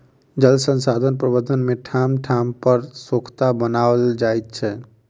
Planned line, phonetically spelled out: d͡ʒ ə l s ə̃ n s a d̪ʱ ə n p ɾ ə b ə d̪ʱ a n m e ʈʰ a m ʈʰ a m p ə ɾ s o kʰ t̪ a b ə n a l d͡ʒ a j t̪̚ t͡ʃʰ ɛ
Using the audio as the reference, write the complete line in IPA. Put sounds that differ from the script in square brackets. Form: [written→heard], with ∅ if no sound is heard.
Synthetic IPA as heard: d͡ʒ ə l s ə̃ n s a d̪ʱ ə n p ɾ ə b ə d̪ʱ [a→ə] n m e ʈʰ a m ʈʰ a m p ə ɾ s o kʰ t̪ a b ə n a l d͡ʒ a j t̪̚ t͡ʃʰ ɛ